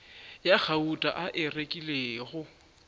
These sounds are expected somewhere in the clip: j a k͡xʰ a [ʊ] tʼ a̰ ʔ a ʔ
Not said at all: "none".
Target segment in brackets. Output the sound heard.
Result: u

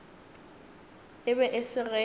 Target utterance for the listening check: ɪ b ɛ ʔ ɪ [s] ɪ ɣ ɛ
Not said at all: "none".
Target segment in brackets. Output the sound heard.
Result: s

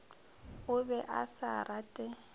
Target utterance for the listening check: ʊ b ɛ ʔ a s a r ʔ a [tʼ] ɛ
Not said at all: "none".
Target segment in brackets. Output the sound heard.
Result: tʼ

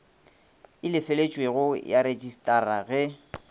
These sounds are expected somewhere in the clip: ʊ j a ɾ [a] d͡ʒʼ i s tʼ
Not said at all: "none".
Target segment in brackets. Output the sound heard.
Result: e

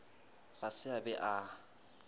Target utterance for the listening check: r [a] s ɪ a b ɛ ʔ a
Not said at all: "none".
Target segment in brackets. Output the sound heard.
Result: a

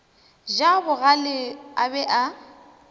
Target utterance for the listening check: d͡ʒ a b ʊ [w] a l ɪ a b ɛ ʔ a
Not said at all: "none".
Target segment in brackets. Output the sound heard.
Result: ɣ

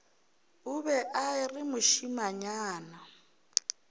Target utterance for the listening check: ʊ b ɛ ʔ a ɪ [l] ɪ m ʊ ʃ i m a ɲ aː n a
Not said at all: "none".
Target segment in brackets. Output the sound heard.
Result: r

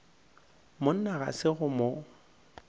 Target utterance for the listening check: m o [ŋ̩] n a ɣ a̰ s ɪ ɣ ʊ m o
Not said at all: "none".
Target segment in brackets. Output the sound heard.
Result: n̩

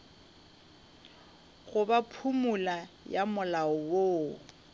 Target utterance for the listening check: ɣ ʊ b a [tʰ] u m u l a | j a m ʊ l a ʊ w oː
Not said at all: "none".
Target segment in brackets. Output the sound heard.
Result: pʰ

